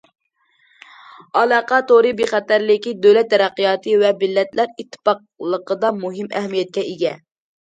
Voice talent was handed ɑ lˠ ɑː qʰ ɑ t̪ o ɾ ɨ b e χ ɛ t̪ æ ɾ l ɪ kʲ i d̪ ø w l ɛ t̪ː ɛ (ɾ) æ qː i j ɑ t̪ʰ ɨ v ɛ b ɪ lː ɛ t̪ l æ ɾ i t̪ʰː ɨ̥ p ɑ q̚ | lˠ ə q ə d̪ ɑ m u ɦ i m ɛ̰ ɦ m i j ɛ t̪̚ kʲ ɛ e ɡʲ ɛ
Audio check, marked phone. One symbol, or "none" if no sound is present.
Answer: ɾ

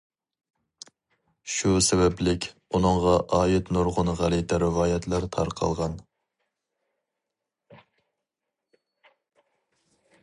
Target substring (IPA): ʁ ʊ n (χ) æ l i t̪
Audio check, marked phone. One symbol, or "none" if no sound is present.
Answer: ʁ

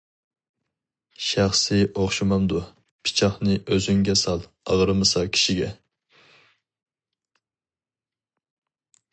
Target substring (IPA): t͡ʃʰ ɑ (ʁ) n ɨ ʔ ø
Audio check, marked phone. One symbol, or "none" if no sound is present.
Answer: χ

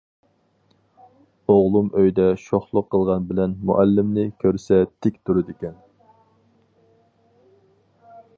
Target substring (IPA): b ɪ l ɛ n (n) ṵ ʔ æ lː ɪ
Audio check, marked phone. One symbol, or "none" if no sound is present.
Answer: m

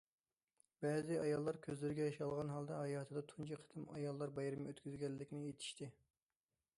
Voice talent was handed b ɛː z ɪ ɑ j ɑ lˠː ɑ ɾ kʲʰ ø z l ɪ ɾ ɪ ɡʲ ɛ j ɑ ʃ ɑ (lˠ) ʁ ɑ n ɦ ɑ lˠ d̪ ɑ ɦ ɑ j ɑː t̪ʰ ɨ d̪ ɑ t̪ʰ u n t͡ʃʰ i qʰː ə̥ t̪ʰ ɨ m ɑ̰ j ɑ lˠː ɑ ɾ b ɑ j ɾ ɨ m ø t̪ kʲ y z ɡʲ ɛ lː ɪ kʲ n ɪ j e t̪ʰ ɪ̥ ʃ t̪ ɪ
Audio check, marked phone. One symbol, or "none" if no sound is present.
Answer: lˠ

